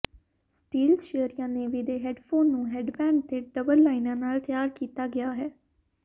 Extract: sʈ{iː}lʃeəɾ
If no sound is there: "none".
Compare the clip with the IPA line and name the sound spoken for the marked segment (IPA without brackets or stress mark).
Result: iː